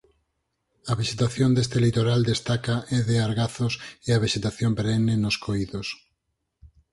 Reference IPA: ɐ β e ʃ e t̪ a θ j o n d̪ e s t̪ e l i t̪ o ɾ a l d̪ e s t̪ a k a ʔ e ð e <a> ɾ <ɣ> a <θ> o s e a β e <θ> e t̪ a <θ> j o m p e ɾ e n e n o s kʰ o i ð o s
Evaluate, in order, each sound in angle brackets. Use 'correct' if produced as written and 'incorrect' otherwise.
correct, correct, correct, incorrect, correct

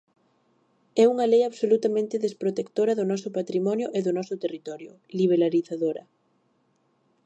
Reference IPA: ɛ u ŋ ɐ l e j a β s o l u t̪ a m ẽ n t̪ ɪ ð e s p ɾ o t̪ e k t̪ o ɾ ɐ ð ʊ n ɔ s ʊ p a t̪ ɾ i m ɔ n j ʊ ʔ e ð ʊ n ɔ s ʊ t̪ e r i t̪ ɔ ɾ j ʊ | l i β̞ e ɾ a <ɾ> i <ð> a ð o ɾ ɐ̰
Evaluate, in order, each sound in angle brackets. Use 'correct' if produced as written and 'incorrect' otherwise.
correct, incorrect

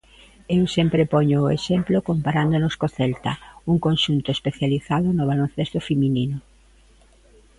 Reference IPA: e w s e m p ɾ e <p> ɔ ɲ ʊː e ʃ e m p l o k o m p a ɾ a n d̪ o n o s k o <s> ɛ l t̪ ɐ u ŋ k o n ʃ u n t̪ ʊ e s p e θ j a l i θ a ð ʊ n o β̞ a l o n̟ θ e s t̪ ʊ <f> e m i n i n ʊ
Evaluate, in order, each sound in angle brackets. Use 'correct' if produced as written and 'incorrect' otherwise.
correct, incorrect, correct

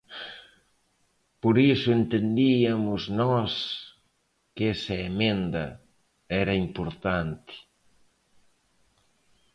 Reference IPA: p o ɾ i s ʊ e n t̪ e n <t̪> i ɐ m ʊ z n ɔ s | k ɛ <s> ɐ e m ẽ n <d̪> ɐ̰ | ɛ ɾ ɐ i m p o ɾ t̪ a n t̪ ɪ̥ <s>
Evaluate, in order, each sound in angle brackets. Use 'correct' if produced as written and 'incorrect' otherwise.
incorrect, correct, correct, incorrect

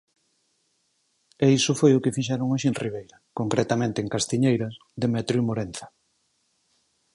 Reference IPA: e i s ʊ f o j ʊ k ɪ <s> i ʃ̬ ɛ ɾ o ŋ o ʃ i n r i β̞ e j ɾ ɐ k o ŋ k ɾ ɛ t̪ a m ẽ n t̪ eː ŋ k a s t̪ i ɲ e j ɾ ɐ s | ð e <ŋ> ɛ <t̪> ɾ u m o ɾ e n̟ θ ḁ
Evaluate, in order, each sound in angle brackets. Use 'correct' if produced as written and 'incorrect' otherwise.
incorrect, incorrect, correct

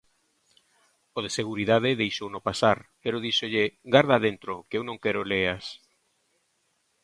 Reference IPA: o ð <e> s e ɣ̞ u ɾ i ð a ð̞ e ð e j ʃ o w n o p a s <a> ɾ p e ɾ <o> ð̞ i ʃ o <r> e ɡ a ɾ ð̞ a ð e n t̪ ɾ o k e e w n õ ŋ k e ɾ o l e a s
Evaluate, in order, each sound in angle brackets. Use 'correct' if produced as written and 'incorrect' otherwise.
correct, correct, correct, incorrect

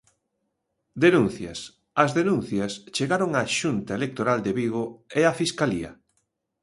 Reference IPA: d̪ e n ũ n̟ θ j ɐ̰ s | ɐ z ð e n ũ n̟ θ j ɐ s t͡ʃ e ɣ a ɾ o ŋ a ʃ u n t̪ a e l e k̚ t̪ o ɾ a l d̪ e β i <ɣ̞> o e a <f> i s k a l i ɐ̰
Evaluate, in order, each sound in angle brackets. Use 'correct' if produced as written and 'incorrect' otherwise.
correct, correct

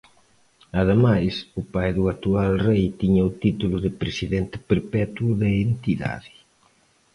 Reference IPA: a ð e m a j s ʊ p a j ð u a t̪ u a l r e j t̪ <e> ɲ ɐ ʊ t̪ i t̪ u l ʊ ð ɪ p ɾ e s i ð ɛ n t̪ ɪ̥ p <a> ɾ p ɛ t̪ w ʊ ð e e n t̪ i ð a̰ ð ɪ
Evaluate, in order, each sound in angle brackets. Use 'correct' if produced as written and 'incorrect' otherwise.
incorrect, incorrect

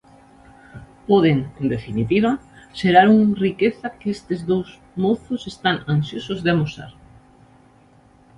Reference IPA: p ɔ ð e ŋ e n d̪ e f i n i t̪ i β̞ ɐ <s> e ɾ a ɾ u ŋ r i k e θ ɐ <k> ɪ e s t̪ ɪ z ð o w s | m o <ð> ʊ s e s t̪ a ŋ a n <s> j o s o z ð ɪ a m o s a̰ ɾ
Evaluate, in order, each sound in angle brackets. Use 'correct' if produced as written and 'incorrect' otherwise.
incorrect, correct, incorrect, correct

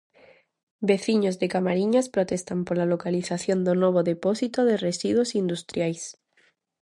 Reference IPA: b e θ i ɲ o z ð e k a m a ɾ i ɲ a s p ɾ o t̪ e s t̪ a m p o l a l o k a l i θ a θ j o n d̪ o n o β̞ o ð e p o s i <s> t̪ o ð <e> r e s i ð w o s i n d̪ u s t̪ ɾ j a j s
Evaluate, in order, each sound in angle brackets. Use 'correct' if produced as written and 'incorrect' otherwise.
incorrect, correct

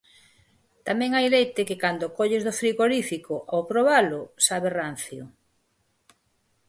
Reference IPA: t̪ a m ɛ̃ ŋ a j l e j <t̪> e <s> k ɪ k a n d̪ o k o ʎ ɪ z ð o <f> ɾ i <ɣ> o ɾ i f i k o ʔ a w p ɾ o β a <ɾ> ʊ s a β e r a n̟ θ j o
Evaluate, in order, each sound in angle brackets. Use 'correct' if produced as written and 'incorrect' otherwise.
correct, incorrect, correct, correct, incorrect

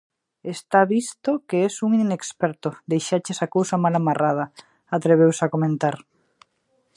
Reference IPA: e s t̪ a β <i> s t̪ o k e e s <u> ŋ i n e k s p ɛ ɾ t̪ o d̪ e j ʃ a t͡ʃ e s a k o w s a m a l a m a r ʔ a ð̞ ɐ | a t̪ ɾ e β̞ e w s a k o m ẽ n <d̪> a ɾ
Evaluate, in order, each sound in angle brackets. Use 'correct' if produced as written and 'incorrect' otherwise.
correct, correct, incorrect

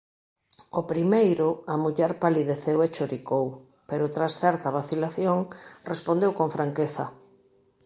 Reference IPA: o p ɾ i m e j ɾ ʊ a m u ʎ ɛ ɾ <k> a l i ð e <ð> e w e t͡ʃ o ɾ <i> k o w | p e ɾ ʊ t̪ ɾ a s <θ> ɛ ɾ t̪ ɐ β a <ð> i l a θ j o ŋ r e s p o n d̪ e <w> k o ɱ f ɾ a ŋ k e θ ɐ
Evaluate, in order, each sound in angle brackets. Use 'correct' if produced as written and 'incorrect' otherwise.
incorrect, incorrect, correct, correct, incorrect, correct

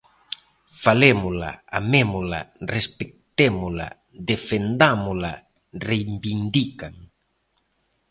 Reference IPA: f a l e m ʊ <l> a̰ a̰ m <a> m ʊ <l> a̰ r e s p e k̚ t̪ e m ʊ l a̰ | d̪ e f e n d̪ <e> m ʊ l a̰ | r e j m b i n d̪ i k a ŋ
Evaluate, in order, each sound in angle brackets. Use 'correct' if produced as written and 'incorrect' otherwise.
correct, incorrect, correct, incorrect

